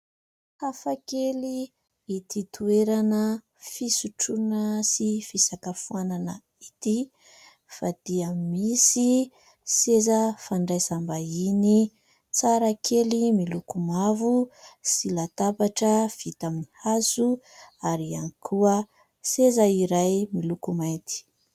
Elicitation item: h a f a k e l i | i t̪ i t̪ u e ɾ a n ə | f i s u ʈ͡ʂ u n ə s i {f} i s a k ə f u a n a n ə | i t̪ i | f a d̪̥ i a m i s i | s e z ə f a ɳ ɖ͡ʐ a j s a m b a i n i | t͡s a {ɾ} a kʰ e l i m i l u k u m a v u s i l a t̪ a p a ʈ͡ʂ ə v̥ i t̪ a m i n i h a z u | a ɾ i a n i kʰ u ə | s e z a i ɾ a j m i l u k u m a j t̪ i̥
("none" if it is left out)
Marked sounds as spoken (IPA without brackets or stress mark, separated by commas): f, ɾ